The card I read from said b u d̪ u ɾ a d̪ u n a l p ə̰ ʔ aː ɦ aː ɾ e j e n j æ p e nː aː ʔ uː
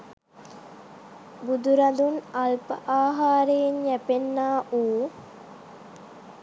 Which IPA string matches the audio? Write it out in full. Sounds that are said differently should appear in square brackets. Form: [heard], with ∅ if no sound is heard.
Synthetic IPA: b u d̪ u ɾ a d̪ u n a l p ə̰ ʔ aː ɦ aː ɾ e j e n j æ p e nː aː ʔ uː

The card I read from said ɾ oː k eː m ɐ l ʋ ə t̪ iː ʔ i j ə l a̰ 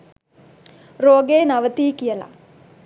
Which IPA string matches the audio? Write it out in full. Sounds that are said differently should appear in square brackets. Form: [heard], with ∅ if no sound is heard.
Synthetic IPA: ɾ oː [ɡ] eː [n] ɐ [∅] ʋ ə t̪ iː [k] i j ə l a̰

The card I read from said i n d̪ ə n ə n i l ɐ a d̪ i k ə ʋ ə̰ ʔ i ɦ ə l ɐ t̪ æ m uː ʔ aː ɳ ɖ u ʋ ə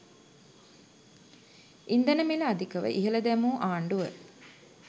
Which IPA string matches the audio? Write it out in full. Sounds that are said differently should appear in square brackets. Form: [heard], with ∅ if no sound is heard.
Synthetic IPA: i n d̪ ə n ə [m] i l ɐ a d̪ i k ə ʋ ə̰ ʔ i ɦ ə l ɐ [d̪] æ m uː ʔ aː ɳ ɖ u ʋ ə

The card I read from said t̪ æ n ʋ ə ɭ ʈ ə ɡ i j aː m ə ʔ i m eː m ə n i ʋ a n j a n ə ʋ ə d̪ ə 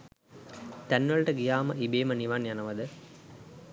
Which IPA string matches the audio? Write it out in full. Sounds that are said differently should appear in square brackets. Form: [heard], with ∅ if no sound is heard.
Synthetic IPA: t̪ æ n ʋ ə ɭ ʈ ə ɡ i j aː m ə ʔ i [b] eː m ə n i ʋ a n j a n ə ʋ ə d̪ ə

